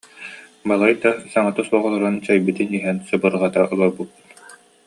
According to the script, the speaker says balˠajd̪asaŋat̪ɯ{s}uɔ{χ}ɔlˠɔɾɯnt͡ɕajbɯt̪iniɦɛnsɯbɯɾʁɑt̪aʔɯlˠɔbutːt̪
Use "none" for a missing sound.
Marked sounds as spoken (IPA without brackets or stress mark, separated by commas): s, ʁ